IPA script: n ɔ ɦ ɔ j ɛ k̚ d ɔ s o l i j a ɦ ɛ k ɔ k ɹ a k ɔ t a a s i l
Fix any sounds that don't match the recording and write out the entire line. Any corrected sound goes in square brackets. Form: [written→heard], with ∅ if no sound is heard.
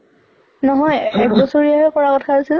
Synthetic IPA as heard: n ɔ ɦ ɔ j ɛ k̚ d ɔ s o [l→ɹ] i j a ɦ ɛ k ɔ [k→∅] ɹ a k ɔ [t→tʰ] a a s i l